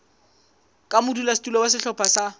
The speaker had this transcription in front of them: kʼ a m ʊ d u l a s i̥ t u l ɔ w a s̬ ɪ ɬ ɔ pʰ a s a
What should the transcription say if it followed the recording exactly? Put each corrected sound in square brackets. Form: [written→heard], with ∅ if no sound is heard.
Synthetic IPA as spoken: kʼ a m ʊ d u l a s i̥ t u l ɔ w a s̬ ɪ ɬ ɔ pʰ a s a